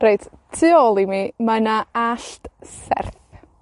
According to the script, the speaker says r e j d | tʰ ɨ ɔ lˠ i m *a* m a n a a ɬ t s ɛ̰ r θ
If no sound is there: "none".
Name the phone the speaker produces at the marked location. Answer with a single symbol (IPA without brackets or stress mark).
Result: i